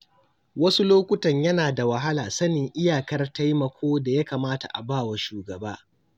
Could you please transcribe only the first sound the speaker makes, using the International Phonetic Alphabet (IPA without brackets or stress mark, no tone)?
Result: w